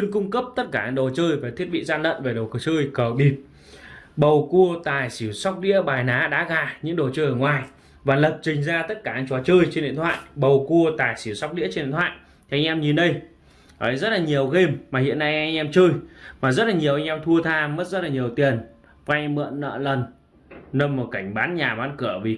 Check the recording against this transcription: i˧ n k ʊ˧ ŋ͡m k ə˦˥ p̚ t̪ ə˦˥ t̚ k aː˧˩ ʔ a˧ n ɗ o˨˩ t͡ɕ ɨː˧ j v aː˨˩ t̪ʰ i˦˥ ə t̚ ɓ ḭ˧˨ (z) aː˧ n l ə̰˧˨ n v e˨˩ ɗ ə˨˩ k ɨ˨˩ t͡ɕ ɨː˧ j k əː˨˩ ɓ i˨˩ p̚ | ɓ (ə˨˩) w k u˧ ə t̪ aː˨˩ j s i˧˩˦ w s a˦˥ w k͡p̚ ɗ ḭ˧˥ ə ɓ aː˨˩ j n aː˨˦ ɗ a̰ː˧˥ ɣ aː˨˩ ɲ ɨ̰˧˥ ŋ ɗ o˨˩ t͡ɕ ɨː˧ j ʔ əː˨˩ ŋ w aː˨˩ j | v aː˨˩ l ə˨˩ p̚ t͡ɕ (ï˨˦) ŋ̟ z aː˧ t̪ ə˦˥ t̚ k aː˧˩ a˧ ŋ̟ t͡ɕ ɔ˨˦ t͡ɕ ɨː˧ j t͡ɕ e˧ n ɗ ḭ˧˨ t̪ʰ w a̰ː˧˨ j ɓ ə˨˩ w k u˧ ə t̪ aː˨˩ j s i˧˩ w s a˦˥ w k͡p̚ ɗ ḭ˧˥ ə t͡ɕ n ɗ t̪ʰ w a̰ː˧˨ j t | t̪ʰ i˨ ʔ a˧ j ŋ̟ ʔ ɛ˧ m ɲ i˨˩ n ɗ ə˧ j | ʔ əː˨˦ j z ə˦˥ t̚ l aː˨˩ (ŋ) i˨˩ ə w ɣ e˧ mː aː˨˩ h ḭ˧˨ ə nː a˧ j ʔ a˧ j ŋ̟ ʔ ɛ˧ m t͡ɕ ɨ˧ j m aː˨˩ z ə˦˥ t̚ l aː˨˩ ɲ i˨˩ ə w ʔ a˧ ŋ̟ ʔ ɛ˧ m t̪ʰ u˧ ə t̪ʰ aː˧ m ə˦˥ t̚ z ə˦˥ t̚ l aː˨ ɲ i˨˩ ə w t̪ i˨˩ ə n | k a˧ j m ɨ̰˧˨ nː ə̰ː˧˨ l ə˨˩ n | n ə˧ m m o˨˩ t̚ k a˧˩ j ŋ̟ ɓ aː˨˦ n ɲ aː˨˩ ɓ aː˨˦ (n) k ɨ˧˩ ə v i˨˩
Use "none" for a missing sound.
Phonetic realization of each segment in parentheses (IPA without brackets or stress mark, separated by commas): z, ə˨˩, ï˨˩, ɲ, n